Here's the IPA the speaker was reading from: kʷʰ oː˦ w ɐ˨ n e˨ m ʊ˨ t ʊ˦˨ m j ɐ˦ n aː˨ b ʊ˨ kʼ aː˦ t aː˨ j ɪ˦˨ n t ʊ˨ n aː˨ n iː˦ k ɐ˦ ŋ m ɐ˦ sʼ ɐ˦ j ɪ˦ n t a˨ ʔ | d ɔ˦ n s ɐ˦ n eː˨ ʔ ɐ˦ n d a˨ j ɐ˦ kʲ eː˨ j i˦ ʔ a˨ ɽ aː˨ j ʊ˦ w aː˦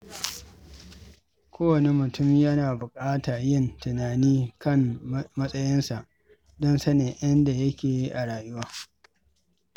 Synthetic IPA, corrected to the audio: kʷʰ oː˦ w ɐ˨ n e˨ m ʊ˨ t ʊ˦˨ m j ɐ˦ n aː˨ b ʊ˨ kʼ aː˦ t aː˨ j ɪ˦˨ n t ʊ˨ n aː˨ n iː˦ k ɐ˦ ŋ m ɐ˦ sʼ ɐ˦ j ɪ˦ n s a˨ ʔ | d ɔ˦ n s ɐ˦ n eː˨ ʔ ɐ˦ n d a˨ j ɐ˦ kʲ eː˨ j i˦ ʔ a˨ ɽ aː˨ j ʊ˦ w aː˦